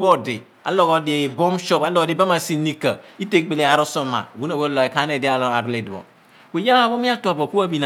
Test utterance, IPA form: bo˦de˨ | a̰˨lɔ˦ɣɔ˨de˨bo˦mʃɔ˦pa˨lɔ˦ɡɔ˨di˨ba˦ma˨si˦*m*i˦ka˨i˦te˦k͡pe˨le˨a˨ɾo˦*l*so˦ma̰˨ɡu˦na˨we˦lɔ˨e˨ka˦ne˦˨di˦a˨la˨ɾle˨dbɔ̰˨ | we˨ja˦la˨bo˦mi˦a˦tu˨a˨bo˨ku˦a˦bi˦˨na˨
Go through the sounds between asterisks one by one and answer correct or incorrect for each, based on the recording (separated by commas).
incorrect, incorrect